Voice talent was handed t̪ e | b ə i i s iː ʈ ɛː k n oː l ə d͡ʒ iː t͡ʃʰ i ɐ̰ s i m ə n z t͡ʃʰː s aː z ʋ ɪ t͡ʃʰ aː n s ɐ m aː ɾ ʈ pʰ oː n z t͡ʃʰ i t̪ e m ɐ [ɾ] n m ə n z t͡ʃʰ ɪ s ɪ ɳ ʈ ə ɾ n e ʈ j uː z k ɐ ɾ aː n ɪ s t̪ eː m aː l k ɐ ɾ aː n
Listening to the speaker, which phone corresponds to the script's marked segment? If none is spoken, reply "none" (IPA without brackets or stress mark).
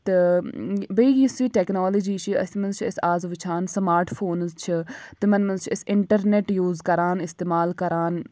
none